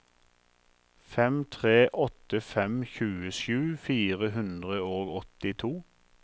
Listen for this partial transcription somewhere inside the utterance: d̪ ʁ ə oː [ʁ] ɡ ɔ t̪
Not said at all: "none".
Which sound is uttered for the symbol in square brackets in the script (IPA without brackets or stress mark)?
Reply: none